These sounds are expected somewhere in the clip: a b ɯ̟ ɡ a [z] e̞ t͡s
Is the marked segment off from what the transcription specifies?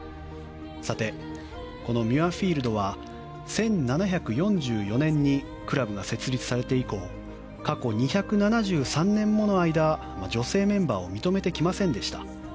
yes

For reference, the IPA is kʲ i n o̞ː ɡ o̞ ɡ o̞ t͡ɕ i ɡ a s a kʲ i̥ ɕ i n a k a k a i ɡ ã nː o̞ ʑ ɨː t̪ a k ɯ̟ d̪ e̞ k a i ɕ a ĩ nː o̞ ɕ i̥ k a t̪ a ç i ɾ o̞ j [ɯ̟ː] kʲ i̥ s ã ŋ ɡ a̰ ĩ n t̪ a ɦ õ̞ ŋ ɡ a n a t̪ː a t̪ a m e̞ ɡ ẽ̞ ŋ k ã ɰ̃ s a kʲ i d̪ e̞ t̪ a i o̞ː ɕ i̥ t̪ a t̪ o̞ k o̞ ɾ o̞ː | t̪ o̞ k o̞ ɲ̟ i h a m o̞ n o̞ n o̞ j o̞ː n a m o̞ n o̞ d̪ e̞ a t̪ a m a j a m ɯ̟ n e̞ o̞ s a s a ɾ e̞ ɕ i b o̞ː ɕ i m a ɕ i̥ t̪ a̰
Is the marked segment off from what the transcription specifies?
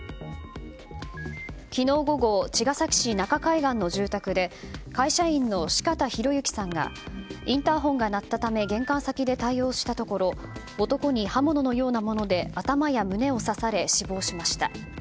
yes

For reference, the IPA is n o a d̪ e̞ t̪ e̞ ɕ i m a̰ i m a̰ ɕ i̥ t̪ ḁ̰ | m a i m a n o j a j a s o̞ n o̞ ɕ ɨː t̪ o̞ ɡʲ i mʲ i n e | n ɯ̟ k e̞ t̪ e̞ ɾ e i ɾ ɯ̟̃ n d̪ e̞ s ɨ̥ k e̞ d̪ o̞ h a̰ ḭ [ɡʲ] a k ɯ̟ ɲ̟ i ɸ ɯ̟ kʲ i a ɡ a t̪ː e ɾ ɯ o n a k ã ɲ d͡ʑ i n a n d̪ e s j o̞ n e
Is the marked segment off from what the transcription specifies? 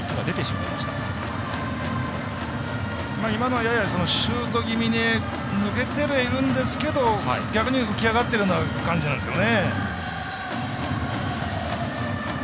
no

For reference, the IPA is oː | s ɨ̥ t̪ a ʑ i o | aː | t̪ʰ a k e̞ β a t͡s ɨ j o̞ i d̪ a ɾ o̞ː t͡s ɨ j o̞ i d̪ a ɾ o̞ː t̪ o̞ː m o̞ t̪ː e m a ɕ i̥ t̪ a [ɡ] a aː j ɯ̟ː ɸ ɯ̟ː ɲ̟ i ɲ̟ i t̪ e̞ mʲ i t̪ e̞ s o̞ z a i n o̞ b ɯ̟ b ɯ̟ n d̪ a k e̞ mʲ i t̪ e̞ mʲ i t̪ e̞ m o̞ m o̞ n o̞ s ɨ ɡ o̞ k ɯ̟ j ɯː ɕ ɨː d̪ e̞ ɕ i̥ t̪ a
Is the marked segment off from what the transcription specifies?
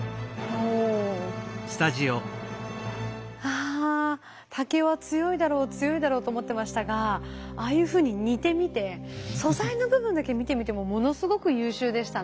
no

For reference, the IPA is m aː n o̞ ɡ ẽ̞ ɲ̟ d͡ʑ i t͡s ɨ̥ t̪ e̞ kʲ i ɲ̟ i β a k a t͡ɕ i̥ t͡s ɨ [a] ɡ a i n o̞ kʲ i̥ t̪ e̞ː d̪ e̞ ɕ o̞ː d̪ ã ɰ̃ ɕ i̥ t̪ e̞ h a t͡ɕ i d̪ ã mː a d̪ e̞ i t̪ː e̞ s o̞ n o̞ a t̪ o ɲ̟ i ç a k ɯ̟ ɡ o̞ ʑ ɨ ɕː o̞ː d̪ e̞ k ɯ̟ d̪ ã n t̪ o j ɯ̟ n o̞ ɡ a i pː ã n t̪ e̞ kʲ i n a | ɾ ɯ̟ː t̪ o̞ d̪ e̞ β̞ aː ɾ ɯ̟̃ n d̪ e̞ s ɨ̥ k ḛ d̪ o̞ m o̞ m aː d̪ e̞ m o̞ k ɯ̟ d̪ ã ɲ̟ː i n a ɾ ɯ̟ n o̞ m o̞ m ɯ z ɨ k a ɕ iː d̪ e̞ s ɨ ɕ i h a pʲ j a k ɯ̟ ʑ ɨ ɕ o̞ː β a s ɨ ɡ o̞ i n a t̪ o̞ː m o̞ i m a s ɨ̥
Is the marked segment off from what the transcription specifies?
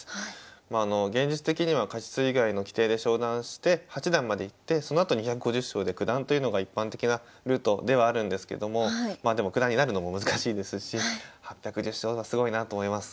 yes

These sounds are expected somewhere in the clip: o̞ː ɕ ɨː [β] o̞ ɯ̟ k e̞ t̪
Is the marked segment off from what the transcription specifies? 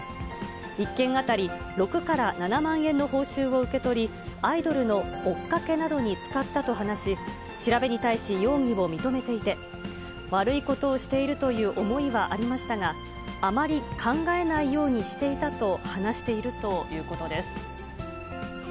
no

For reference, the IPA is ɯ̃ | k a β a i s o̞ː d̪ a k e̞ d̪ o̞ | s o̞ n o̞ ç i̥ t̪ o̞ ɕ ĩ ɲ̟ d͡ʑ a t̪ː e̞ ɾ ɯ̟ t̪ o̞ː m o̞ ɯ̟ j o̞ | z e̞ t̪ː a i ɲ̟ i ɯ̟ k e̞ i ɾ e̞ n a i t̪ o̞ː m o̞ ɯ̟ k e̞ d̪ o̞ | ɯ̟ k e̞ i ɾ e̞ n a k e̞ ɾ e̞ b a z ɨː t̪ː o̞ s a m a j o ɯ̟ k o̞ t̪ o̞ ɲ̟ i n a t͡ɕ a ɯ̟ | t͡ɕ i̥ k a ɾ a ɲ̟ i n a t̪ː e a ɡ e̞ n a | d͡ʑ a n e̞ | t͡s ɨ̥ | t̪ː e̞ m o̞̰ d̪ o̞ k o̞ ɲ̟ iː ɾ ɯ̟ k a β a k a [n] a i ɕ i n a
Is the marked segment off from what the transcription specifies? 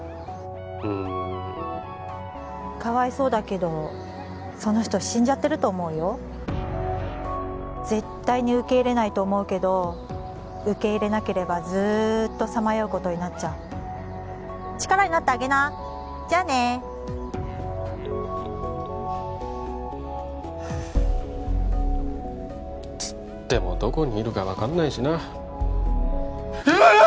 yes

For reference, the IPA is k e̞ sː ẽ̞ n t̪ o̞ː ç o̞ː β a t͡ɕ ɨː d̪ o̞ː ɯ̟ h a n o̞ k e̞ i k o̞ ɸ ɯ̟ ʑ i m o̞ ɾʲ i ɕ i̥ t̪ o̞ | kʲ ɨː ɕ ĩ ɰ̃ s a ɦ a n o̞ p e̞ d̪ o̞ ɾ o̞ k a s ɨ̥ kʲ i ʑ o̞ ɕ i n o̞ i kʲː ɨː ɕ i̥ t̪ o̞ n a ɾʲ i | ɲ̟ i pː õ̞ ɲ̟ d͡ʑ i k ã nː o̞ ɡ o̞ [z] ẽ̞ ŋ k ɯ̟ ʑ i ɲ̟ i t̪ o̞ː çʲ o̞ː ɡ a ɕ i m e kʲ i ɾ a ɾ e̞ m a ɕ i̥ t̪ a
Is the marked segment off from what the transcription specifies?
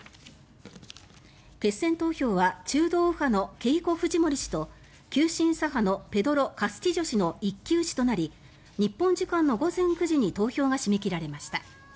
no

